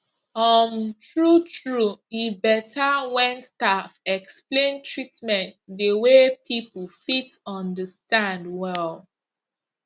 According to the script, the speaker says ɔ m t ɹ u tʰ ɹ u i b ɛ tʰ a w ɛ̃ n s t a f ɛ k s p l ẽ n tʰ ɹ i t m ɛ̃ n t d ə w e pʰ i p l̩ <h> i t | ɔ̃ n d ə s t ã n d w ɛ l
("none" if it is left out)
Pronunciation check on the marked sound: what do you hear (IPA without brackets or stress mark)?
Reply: f